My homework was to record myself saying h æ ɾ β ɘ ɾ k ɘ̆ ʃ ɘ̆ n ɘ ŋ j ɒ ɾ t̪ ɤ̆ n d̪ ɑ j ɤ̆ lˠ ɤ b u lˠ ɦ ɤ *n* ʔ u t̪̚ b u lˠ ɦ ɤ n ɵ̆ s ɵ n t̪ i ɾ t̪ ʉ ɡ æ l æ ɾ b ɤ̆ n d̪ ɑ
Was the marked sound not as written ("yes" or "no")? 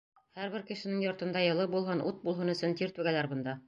no